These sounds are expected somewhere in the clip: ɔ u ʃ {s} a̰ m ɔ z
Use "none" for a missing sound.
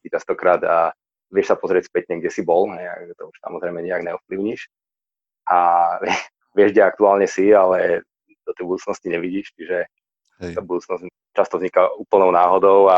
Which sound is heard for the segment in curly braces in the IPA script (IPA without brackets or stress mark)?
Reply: s